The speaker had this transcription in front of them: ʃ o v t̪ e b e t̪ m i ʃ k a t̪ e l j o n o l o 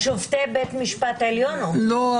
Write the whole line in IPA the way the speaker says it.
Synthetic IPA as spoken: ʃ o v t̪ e b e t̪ m i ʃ p a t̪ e l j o n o l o